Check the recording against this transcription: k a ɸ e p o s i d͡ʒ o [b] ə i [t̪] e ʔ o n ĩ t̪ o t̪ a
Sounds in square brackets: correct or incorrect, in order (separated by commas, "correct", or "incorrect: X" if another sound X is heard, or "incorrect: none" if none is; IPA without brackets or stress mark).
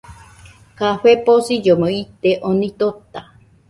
incorrect: m, correct